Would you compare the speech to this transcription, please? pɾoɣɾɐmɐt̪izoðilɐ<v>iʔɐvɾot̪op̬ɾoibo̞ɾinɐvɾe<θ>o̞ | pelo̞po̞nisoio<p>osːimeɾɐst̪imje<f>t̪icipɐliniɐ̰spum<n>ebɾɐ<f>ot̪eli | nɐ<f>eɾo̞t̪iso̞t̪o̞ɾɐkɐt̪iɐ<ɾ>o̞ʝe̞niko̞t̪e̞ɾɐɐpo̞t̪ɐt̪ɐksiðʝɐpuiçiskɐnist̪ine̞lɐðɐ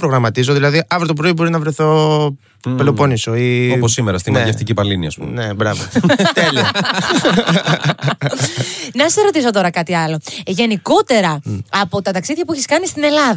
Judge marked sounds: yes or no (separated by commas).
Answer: no, yes, yes, yes, yes, no, no, no